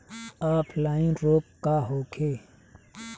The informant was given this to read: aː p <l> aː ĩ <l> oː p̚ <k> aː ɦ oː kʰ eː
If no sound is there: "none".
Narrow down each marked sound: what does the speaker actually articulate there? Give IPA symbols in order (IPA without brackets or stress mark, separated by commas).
l, ɾ, k